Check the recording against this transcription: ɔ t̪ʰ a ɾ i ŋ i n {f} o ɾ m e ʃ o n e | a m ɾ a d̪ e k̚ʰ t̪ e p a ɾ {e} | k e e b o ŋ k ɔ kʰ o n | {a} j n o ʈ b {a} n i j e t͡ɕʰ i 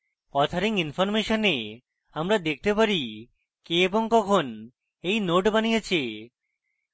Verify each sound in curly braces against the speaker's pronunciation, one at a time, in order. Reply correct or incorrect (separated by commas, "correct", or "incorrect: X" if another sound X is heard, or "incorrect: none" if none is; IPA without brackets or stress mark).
correct, incorrect: i, incorrect: e, correct